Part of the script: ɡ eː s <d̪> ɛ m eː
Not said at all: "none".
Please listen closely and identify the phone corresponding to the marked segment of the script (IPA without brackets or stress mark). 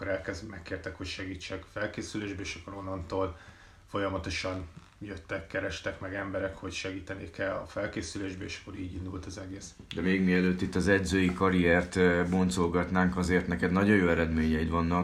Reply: d̪